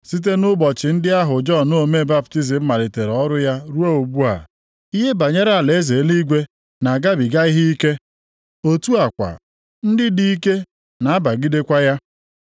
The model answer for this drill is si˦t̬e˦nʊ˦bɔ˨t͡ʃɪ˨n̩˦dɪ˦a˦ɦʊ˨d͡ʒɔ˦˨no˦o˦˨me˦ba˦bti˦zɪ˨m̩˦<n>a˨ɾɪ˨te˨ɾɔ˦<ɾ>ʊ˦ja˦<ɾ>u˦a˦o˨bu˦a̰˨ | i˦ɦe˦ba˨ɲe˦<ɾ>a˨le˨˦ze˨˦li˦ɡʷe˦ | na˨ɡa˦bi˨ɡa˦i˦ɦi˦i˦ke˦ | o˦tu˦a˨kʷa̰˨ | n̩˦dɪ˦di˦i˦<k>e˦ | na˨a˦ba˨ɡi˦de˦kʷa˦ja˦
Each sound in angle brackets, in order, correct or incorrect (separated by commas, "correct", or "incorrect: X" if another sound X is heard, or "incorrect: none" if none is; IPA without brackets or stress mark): incorrect: m, correct, correct, correct, correct